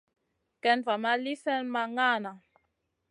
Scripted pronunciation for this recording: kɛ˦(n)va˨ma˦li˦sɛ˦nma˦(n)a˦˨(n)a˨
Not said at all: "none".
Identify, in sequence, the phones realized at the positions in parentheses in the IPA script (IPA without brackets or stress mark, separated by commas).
n, ŋ, n